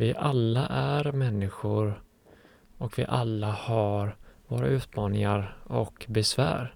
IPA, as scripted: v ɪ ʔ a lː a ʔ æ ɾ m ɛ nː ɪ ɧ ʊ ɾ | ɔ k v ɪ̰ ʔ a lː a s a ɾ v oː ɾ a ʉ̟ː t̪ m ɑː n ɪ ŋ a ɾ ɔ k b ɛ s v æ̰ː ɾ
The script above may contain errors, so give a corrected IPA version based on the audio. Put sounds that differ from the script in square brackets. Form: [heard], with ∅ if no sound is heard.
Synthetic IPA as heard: v ɪ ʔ a lː a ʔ æ ɾ m ɛ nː ɪ ɧ ʊ ɾ | ɔ k v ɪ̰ ʔ a lː a [h] a ɾ v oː ɾ a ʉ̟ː t̪ m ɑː n ɪ ŋ a ɾ ɔ k b ɛ s v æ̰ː ɾ